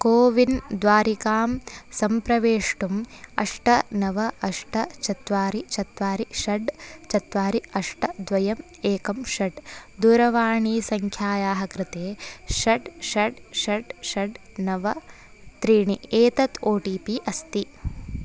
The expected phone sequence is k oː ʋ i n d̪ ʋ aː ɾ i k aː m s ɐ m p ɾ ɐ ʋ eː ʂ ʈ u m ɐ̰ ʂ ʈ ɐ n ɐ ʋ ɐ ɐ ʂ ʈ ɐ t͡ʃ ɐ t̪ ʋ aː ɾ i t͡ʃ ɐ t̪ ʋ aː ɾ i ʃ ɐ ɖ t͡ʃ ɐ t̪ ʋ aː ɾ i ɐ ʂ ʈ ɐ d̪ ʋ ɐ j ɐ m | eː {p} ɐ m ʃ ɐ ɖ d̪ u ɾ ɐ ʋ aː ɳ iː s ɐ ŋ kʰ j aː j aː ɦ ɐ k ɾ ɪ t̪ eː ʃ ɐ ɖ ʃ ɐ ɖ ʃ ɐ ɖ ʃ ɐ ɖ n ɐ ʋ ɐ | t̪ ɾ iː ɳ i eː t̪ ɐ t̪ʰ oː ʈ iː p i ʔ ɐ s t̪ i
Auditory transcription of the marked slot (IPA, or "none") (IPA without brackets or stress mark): k